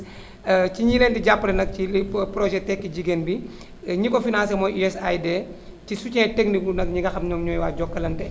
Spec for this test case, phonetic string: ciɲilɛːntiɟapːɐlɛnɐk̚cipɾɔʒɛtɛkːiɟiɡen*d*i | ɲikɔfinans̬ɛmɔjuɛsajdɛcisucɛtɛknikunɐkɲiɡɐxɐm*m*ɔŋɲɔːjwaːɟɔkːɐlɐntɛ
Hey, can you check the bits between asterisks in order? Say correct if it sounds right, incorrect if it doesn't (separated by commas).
incorrect, incorrect